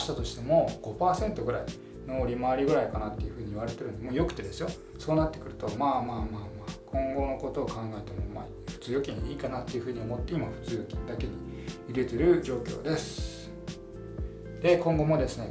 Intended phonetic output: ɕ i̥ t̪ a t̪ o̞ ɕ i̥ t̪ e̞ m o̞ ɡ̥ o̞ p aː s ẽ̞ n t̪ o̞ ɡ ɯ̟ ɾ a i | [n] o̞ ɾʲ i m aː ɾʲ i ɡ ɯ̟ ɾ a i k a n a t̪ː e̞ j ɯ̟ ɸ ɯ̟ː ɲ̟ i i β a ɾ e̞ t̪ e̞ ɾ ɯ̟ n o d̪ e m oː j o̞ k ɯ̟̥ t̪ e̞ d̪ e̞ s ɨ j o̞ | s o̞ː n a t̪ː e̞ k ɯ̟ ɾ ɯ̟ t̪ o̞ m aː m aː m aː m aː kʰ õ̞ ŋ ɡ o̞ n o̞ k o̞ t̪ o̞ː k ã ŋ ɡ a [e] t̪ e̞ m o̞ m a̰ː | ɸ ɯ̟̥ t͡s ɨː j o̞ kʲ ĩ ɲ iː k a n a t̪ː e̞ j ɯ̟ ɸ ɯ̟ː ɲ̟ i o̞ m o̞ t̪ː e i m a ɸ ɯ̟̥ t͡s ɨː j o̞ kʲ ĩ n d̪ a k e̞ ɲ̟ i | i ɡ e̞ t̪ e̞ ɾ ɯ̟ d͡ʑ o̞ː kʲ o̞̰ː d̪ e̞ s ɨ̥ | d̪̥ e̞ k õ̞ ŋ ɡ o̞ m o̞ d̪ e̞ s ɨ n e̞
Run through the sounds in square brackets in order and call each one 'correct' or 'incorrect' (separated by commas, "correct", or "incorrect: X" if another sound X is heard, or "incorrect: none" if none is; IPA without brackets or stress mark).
correct, correct